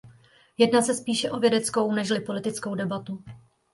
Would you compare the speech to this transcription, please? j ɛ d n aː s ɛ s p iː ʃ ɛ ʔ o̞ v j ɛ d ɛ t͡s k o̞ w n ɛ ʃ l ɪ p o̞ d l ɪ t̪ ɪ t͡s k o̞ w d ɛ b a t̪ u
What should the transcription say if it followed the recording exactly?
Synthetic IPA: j ɛ d n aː s ɛ s p iː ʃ ɛ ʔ o̞ v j ɛ d ɛ t͡s k o̞ w n ɛ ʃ l ɪ p o̞ l ɪ t̪ ɪ t͡s k o̞ w d ɛ b a t̪ u